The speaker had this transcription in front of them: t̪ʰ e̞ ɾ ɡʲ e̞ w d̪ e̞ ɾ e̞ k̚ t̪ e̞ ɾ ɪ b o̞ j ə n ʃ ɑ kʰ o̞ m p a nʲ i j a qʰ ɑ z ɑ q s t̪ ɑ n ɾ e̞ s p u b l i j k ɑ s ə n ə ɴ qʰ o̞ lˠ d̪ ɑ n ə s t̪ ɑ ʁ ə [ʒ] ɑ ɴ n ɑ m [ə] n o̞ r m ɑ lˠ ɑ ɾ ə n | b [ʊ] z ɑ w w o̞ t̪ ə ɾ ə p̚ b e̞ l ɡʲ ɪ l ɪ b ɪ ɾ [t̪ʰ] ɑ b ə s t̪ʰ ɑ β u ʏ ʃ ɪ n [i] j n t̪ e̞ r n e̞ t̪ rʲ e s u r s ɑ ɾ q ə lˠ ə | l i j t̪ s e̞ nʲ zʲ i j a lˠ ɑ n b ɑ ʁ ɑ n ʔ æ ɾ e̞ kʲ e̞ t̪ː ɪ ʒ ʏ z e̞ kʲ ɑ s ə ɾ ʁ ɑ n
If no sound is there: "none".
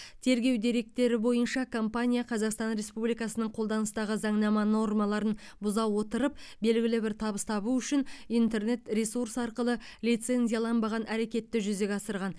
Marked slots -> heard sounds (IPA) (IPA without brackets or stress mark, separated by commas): z, ɑ, ʊ, t̪ʰ, i